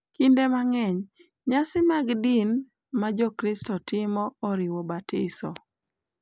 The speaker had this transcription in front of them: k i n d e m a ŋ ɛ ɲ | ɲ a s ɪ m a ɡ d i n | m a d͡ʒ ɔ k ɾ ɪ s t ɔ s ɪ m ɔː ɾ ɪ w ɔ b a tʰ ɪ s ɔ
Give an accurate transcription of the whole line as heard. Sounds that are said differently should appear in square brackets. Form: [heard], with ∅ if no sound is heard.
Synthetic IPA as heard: k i n d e m a ŋ ɛ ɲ | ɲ a s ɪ m a ɡ d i n | m a d͡ʒ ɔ k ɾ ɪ s t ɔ [t] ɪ m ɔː ɾ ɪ w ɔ b a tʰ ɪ s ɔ